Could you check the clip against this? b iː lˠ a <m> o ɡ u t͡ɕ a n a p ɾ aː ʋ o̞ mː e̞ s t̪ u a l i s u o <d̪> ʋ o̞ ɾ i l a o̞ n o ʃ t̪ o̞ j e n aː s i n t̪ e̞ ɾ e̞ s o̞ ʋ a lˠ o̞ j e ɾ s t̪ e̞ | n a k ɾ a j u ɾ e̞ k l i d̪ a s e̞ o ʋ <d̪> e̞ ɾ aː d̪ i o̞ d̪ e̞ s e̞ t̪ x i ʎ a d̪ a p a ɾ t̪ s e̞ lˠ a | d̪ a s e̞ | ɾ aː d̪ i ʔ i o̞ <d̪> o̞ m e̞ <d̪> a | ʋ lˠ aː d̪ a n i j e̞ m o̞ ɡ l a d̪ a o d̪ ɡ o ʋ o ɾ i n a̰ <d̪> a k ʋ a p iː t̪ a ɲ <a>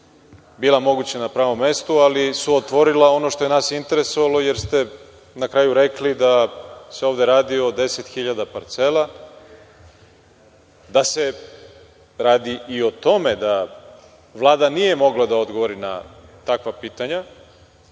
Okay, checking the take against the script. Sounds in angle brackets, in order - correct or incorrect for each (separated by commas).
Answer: correct, incorrect, correct, incorrect, correct, incorrect, correct